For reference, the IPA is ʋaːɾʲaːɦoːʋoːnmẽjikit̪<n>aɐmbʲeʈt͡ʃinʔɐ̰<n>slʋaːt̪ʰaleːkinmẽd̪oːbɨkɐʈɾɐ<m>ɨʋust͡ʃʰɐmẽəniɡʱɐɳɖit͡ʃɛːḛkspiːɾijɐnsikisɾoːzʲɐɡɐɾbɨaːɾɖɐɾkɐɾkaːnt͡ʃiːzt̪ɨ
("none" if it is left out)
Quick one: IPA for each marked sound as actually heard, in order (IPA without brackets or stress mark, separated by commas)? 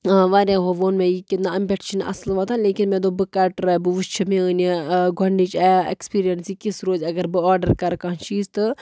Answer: n, none, b